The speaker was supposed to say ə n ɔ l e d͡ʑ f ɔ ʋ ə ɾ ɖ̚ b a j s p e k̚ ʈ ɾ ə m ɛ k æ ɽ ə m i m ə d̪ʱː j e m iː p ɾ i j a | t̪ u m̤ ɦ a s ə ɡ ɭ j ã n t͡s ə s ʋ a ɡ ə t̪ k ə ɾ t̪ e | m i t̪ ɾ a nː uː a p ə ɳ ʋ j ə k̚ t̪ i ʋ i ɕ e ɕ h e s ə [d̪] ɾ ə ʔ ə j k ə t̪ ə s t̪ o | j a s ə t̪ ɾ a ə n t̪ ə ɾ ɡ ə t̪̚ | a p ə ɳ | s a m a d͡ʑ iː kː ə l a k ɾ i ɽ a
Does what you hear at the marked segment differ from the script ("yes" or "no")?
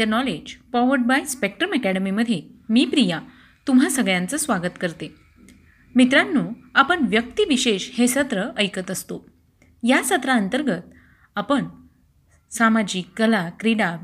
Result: yes